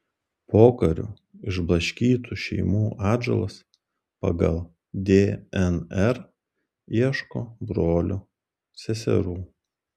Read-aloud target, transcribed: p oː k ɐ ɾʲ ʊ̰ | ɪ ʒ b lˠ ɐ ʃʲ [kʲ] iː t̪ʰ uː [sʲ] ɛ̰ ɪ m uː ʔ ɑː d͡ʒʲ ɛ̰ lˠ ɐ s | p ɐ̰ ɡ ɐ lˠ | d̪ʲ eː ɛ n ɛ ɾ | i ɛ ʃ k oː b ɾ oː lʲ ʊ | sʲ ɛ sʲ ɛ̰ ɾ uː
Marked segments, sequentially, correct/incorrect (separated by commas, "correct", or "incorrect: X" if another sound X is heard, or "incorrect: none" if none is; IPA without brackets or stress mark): correct, incorrect: ʃʲ